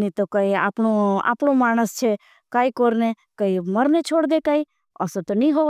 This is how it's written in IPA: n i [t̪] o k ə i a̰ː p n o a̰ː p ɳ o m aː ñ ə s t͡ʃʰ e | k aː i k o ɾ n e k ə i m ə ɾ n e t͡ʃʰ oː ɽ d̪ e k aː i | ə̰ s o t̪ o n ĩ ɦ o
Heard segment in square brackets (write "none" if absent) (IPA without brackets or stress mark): t̪